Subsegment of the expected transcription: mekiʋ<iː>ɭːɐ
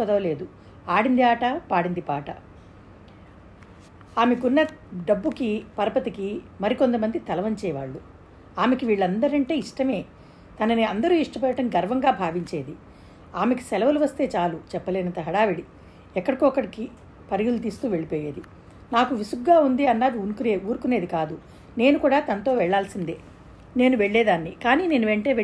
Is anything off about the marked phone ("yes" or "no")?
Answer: no